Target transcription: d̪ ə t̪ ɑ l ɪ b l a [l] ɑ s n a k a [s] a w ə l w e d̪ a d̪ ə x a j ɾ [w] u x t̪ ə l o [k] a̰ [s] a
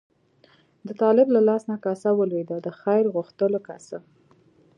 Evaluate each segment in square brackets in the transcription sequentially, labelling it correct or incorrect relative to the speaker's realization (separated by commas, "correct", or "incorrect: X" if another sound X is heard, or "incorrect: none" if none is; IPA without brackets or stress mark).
correct, correct, incorrect: ɣ, correct, correct